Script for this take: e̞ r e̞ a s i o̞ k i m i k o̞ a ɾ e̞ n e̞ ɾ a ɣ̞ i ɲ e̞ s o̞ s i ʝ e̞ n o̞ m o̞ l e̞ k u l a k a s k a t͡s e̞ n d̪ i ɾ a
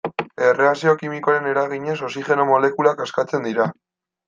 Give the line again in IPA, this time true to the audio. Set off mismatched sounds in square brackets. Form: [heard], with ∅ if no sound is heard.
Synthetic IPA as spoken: e̞ r e̞ a s i o̞ k i m i k o̞ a ɾ e̞ n e̞ ɾ a ɣ̞ i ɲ e̞ s o̞ s i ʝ e̞ n o̞ m o̞ l e̞ k u l a k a s k a t͡s e̞ n d̪ i ɾ a